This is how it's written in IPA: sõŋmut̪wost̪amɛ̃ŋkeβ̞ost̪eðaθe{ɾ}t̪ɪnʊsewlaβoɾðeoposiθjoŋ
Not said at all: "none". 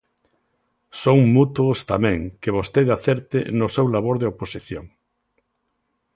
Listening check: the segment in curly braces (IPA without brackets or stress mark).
ɾ